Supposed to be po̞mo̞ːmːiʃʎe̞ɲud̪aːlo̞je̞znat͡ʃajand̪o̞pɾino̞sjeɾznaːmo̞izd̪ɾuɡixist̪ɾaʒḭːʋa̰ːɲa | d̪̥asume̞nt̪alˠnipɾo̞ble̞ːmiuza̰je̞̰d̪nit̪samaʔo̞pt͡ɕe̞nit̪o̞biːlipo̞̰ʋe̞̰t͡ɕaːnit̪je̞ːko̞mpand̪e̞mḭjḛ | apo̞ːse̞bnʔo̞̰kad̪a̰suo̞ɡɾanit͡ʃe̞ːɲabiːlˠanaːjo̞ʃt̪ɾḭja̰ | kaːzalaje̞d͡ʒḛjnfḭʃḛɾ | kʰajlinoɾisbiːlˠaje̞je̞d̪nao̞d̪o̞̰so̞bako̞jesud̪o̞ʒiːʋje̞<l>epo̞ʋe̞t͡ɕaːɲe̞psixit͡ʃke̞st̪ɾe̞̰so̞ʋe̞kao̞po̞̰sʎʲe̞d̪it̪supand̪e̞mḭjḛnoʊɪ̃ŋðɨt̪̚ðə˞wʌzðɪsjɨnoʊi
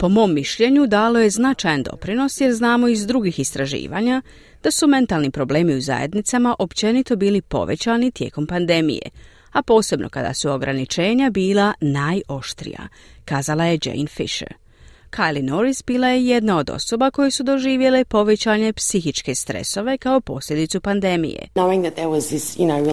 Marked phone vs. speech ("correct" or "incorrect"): correct